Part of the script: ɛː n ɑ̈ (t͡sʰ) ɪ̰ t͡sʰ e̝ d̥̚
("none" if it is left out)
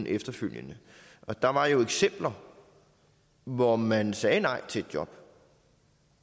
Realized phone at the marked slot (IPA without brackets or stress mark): none